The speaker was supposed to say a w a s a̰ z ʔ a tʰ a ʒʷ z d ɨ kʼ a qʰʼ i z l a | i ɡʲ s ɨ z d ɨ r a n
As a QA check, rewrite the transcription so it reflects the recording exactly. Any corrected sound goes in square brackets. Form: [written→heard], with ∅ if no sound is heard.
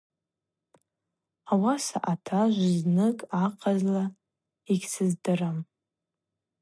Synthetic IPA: a w a s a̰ [z→∅] ʔ a tʰ a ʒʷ z [d→n] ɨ kʼ a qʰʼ [i→a] z l a | i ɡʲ s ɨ z d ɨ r a [n→m]